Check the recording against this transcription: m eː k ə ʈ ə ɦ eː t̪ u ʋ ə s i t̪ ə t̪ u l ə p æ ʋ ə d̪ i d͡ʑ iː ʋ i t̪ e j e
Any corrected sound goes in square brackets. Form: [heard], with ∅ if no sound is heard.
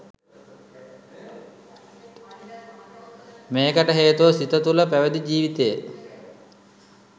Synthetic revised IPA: m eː k ə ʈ ə ɦ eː t̪ u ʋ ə s i t̪ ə t̪ u l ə p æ ʋ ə d̪ i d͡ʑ iː ʋ i t̪ e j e